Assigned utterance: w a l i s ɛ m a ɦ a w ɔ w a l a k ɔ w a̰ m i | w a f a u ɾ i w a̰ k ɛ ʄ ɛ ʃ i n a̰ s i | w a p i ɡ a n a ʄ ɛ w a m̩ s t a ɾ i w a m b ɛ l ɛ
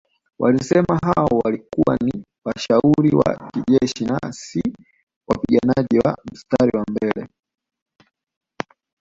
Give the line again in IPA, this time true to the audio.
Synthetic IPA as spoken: w a l i s ɛ m a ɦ a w ɔ w a l i k u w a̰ n i | w a ʃ a u ɾ i w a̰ k i ʄ ɛ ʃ i n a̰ s i | w a p i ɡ a n a ʄ i w a m̩ s t a ɾ i w a m b ɛ l ɛ